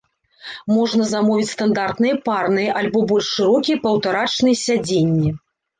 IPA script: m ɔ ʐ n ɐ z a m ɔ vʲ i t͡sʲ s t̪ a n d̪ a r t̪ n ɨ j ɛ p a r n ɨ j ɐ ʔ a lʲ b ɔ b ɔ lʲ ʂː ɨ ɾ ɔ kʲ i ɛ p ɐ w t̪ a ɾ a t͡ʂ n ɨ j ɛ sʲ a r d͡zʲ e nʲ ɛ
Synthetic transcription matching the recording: m ɔ ʐ n ɐ z a m ɔ vʲ i t͡sʲ s t̪ a n d̪ a r t̪ n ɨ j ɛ p a r n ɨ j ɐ ʔ a lʲ b ɔ b ɔ lʲ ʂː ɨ ɾ ɔ kʲ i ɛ p ɐ w t̪ a ɾ a t͡ʂ n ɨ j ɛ sʲ a d͡zʲ e nʲː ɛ